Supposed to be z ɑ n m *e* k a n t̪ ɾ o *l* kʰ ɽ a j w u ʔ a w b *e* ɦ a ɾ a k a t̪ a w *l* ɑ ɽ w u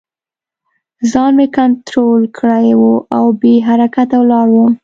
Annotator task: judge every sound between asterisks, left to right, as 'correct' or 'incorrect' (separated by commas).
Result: correct, correct, correct, correct